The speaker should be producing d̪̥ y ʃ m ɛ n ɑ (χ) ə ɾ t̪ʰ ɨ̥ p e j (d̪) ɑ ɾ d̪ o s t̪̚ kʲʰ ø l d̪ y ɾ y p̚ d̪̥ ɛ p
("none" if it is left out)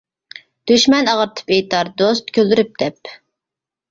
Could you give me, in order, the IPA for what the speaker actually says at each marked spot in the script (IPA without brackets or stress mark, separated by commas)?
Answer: ʁ, t̪